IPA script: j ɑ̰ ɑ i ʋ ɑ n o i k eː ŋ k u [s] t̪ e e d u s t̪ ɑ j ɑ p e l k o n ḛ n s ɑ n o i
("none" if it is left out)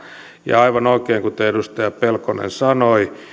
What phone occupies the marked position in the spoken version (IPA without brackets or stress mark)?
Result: none